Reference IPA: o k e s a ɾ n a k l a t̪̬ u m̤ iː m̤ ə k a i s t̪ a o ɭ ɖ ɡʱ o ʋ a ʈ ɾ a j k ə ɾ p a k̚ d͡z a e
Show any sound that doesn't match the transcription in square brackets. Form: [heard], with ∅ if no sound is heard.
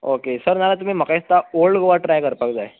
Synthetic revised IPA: o k e s [ə] ɾ n a [∅] l a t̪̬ u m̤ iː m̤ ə k a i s t̪ a o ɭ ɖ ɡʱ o ʋ a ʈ ɾ a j k ə ɾ p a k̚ d͡z a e